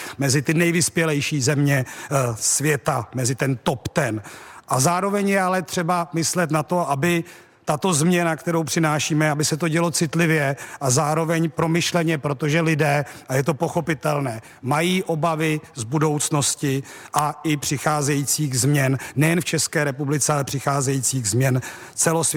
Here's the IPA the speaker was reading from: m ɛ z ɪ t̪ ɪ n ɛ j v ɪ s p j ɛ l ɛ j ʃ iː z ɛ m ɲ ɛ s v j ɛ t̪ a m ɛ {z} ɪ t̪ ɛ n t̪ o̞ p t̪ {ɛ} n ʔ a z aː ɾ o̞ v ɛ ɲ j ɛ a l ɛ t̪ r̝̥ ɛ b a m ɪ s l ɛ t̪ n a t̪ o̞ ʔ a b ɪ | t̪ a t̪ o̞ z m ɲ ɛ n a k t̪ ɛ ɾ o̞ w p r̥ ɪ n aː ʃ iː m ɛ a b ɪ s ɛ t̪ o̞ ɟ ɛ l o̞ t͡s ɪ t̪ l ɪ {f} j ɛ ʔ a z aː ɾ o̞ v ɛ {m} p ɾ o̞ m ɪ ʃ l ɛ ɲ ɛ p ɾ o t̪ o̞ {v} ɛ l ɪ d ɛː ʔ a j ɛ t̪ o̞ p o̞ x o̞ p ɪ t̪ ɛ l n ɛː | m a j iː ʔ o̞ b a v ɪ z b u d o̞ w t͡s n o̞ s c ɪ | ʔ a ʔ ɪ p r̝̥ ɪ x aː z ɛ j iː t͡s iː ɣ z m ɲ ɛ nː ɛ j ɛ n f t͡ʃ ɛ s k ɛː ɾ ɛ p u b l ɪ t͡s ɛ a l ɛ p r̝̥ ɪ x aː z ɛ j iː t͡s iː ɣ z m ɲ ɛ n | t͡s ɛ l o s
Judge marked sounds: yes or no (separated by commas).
yes, yes, no, no, no